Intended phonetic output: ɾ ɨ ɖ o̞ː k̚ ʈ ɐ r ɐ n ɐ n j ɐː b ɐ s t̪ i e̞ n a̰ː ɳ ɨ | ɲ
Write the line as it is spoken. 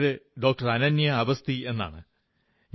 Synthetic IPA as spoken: ɾ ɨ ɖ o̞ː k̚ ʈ ɐ r ɐ n ɐ n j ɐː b ɐ s t̪ i e̞ nː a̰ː ɳ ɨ | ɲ